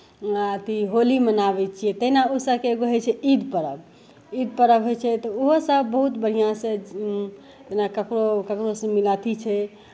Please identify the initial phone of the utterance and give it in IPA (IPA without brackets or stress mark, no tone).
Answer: t̪